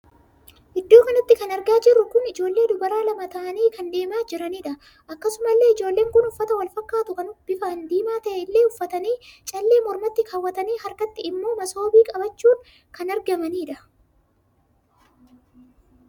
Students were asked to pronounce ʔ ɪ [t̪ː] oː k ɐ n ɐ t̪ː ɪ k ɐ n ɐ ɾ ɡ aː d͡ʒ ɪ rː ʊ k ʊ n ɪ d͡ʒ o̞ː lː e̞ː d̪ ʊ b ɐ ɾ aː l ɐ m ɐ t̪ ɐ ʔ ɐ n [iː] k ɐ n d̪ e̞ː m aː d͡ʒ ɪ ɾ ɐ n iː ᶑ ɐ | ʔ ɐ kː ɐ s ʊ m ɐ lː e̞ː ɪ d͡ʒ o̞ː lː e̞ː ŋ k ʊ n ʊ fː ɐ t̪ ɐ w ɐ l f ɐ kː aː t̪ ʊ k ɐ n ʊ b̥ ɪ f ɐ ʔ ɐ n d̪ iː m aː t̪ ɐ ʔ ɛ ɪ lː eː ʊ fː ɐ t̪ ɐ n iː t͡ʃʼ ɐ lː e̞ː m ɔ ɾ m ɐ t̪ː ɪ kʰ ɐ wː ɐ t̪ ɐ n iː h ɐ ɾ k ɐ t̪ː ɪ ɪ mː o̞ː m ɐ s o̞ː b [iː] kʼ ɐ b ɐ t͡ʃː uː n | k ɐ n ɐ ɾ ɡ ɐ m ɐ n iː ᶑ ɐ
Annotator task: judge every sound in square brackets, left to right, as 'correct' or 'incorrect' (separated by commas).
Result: incorrect, correct, correct